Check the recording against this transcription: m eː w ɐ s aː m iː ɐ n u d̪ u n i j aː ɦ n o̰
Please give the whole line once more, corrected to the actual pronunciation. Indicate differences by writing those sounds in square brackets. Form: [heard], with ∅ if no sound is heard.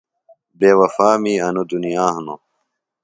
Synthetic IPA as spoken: [b] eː w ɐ [f] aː m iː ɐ n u d̪ u n i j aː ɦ n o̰